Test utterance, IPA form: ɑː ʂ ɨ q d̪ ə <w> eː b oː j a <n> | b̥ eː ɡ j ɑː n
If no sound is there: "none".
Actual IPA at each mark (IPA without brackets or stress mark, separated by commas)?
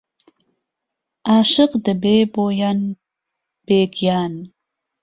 b, n